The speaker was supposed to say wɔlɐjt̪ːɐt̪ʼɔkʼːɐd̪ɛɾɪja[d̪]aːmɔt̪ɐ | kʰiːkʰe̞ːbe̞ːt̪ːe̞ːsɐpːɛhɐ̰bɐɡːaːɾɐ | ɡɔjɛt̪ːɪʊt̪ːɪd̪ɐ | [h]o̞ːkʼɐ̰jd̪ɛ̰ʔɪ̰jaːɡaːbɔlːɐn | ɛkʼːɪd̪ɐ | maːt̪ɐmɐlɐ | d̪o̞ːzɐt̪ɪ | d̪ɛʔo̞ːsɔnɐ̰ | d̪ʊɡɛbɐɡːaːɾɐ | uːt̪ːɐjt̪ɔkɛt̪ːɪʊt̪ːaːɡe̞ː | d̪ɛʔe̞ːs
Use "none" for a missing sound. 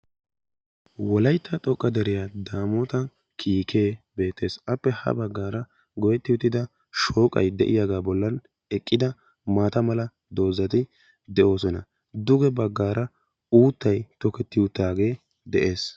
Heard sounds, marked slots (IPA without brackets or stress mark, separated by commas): d̪, ʃ